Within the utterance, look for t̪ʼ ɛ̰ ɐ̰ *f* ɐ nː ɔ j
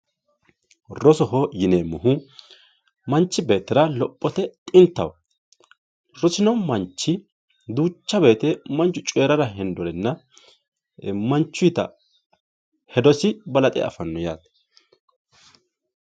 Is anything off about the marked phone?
no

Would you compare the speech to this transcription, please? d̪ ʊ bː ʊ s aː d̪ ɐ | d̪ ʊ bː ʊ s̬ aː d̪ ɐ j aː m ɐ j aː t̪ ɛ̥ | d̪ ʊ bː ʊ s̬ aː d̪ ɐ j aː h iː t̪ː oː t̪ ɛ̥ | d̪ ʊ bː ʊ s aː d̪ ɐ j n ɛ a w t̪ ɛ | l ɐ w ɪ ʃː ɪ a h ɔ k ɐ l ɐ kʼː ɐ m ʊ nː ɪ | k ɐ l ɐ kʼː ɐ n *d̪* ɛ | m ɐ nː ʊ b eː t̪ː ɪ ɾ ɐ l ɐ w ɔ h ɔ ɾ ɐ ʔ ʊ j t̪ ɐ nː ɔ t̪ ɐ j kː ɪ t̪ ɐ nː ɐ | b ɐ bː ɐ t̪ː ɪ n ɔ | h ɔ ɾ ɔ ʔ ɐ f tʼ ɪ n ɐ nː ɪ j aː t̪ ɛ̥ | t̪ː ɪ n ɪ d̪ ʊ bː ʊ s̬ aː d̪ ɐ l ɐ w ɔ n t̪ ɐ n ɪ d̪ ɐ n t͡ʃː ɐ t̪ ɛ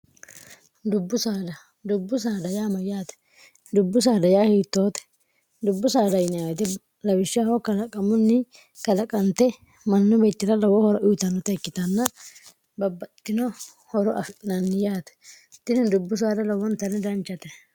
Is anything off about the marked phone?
yes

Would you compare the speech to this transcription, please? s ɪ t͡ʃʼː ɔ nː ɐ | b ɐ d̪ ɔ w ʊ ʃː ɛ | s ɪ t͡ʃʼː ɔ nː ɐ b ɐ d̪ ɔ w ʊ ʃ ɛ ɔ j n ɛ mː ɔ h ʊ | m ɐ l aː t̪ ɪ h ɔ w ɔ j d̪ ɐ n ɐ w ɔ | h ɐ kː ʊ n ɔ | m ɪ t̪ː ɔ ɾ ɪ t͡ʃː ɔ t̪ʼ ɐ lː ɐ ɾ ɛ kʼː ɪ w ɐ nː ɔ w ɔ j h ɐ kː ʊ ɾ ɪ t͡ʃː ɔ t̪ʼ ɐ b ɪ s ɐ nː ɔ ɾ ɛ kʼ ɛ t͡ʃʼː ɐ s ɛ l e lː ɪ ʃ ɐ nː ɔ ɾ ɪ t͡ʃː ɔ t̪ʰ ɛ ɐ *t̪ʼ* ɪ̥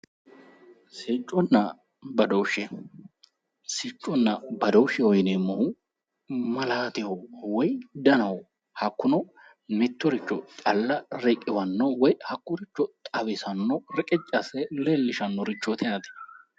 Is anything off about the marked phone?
yes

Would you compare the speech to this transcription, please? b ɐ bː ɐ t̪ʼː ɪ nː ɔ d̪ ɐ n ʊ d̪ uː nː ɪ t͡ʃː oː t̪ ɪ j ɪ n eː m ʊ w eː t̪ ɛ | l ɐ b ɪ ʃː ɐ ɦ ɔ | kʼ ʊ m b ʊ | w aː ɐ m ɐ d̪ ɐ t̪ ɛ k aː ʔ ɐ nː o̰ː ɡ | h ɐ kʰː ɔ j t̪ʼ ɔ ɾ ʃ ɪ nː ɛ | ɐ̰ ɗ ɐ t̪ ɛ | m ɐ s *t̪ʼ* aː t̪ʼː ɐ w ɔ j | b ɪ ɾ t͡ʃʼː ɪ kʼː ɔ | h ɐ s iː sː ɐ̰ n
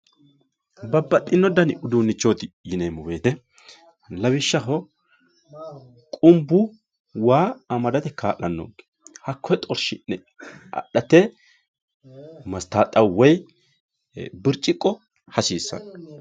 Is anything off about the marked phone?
yes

